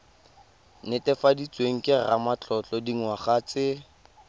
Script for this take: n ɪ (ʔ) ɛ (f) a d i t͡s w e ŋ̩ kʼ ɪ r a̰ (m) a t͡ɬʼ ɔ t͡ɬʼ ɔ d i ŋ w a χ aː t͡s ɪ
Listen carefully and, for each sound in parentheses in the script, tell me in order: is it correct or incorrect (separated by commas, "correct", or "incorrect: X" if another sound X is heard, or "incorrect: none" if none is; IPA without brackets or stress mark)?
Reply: incorrect: t, correct, correct